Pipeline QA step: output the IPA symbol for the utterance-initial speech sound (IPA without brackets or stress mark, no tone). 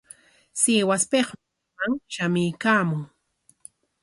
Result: s